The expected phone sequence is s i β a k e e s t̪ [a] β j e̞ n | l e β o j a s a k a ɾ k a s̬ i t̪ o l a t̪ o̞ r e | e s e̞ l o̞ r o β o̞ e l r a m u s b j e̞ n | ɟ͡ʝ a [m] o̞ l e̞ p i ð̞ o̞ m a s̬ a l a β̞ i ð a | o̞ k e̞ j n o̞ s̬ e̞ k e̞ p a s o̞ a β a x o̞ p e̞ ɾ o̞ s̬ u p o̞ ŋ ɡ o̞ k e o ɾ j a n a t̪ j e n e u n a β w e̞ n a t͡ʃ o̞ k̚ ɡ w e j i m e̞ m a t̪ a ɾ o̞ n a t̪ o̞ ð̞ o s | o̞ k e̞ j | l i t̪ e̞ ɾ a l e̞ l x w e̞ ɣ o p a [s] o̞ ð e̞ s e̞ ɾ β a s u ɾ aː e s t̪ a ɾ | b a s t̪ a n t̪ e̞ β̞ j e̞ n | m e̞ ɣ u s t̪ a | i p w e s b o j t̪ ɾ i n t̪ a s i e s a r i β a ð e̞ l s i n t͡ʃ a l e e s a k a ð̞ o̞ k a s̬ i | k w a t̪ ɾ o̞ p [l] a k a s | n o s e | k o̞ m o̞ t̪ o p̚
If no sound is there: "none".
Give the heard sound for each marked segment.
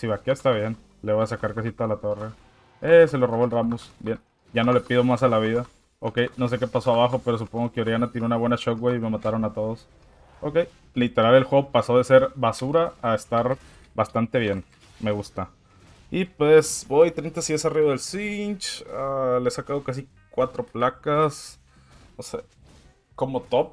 a, n, s, l

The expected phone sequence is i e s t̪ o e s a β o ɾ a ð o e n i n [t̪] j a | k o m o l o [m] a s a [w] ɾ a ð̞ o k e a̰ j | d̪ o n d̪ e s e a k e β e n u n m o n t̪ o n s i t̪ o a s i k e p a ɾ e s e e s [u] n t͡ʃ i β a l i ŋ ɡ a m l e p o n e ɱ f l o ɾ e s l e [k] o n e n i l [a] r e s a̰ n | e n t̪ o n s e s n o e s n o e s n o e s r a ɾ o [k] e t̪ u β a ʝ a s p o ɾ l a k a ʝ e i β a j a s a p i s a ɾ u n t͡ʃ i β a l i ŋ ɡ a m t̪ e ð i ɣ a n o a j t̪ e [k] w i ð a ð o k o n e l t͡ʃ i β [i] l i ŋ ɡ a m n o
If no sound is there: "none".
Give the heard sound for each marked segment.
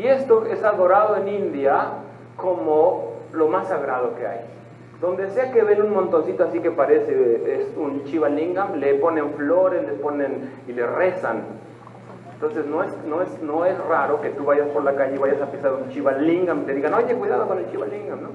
d̪, m, ɣ, u, p, e, k, k, a

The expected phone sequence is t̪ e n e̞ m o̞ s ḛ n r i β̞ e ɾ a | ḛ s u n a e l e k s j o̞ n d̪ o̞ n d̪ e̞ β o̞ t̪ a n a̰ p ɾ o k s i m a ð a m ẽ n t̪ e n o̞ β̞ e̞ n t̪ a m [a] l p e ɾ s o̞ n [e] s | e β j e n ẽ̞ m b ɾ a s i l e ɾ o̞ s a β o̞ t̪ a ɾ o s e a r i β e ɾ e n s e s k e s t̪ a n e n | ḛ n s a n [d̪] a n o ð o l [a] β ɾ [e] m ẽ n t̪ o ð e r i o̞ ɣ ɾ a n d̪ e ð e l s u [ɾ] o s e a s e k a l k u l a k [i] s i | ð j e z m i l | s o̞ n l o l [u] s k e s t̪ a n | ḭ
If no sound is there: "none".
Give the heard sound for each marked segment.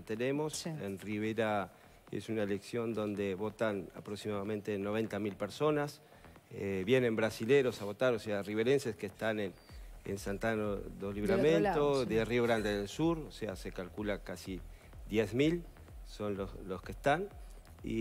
i, a, t̪, i, a, ɾ, a, o

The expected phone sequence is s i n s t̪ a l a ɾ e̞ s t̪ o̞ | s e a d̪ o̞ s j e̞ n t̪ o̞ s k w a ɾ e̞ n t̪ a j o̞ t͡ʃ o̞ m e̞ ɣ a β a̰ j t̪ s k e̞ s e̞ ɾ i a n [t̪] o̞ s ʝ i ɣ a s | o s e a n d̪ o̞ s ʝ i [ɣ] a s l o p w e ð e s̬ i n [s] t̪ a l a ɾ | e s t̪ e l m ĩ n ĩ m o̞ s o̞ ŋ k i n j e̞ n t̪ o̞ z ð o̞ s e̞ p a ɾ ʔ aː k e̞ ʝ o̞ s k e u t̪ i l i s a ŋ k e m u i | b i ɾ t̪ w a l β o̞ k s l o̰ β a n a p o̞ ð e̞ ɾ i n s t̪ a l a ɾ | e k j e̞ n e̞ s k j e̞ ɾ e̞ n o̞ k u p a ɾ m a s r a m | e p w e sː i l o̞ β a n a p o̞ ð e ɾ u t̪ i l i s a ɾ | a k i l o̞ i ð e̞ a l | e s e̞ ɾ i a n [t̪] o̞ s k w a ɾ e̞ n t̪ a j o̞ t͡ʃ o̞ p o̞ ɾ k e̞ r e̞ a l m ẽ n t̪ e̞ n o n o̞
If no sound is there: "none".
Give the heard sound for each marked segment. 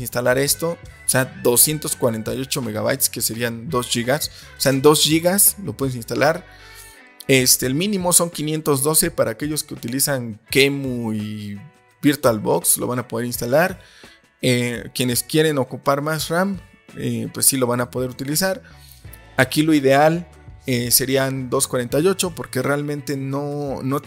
d̪, ɣ, s, d̪

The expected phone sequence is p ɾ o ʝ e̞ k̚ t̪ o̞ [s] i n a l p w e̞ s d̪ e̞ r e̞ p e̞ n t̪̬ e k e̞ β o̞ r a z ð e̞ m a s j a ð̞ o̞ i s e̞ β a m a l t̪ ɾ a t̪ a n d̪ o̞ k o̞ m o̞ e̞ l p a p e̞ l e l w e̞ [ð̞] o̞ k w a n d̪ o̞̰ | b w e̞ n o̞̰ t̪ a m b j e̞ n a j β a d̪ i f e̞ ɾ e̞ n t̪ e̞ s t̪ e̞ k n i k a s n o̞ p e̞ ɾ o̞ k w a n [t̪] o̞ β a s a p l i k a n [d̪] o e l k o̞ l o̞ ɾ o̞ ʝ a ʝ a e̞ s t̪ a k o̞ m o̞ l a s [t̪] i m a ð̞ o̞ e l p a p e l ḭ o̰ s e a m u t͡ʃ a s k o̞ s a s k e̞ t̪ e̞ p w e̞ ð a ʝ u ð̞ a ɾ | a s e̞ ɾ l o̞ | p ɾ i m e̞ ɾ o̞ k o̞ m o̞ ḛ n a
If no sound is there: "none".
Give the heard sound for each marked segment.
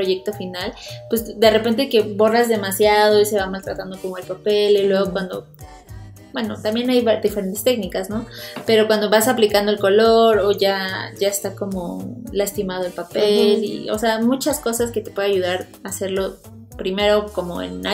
f, ɣ̞, d̪, d̪, t̪

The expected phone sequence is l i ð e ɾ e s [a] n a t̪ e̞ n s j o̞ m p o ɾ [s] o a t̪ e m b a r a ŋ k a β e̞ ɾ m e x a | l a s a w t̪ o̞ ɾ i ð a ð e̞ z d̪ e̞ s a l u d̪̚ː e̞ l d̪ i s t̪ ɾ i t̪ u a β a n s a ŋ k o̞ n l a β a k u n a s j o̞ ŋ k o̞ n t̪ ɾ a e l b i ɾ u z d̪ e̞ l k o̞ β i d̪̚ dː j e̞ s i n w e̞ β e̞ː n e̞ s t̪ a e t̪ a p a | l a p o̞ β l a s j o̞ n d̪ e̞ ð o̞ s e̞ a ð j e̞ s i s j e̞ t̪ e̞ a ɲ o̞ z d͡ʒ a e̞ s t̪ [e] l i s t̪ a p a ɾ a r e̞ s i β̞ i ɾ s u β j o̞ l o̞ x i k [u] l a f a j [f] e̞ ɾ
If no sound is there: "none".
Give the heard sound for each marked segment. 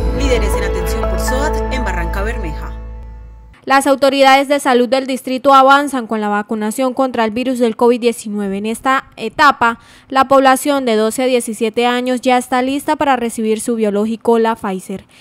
e, s, a, o, s

